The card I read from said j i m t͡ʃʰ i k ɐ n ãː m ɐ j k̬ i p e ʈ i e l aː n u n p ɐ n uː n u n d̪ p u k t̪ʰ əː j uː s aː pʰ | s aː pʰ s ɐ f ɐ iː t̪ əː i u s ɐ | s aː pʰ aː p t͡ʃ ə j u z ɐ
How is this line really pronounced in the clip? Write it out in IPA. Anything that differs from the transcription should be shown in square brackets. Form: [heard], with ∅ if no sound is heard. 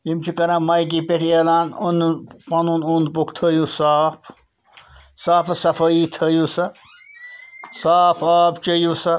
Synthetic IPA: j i m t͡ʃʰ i k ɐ n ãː m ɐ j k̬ i p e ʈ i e l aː n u n p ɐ n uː n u n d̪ p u k t̪ʰ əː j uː s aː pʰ | s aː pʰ s ɐ f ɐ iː [t̪ʰ] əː [j] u s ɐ | s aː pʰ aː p t͡ʃ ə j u [s] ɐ